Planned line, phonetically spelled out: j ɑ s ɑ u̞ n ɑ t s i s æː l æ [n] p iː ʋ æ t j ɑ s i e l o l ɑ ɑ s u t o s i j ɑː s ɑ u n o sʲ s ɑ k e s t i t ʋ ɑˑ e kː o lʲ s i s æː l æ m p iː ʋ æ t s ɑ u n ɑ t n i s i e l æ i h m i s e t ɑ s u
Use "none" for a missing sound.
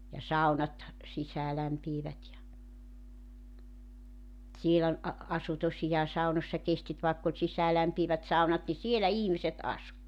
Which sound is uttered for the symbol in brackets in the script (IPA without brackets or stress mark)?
m